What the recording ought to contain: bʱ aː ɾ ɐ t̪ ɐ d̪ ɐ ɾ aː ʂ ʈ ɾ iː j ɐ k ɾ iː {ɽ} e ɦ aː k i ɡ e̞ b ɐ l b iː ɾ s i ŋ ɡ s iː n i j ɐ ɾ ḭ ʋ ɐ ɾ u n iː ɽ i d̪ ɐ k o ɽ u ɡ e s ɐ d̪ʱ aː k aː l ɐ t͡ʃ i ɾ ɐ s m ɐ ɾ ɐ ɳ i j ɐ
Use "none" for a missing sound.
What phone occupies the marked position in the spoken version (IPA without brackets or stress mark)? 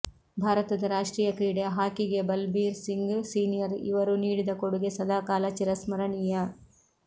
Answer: ɽ